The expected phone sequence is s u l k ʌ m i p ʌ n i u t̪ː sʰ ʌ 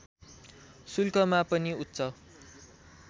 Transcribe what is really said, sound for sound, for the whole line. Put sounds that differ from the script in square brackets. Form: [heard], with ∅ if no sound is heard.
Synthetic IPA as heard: s u l k ʌ m [a] p ʌ n i u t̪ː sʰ ʌ